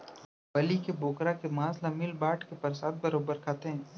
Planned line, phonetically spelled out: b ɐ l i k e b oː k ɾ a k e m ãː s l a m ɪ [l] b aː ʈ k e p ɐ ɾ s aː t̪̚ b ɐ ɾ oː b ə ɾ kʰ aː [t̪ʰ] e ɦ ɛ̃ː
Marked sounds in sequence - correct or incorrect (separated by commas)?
correct, incorrect